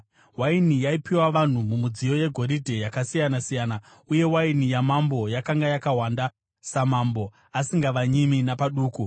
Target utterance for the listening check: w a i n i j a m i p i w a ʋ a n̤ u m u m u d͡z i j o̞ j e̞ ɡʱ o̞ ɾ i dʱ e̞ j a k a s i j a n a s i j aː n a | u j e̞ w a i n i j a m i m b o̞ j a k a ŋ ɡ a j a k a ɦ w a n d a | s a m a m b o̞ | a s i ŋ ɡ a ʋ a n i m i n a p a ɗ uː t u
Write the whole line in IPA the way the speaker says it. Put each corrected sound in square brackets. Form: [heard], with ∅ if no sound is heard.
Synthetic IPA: w a i n i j a [∅] i p i w a ʋ a n̤ u m u m u d͡z i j o̞ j e̞ ɡʱ o̞ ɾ i dʱ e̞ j a k a s i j a n a s i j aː n a | u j e̞ w a i n i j a m [a] m b o̞ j a k a ŋ ɡ a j a k a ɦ w a n d a | s a m a m b o̞ | a s i ŋ ɡ a ʋ a [ɲ] i m i n a p a ɗ uː [k] u

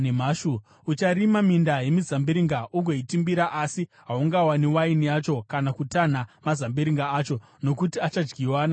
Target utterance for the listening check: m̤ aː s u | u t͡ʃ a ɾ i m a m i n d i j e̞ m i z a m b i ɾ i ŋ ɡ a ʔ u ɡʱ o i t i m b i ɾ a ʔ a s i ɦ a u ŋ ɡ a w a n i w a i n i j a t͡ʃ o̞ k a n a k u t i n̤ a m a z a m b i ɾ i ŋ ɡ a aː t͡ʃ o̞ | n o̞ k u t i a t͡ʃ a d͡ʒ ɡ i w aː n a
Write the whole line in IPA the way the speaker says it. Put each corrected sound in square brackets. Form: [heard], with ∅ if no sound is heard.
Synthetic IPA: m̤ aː [ʃ] u | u t͡ʃ a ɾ i m a m i n d [a] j e̞ m i z a m b i ɾ i ŋ ɡ a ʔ u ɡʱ o i t i m b i ɾ a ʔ a s i ɦ a u ŋ ɡ a w a n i w a i n i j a t͡ʃ o̞ k a n a k u t [a] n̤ a m a z a m b i ɾ i ŋ ɡ a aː t͡ʃ o̞ | n o̞ k u t i a t͡ʃ a d͡ʒ ɡ i w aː n a

